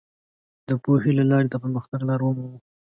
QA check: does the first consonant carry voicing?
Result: yes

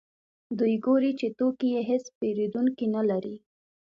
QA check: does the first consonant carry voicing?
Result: yes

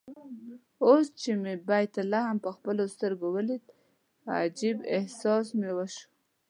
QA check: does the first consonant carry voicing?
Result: no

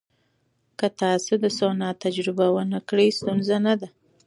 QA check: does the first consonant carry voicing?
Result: no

